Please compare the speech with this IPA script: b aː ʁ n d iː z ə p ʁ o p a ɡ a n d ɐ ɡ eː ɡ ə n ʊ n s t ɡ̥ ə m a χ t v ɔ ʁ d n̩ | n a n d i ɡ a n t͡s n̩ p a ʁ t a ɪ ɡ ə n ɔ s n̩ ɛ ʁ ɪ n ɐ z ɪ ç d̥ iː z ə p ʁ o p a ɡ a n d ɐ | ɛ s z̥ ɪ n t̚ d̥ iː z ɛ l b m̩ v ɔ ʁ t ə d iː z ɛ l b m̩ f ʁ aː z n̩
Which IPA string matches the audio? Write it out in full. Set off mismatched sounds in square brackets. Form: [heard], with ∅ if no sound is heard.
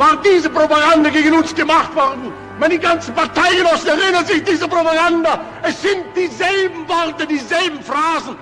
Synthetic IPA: [v] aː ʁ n d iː z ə p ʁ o p a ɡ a n d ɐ ɡ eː ɡ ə n ʊ n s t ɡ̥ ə m a χ t v ɔ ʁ d n̩ | [m] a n d i ɡ a n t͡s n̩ p a ʁ t a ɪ ɡ ə n ɔ s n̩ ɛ ʁ ɪ n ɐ z ɪ ç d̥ iː z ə p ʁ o p a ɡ a n d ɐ | ɛ s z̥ ɪ n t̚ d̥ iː z ɛ l b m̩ v ɔ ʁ t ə d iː z ɛ l b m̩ f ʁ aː z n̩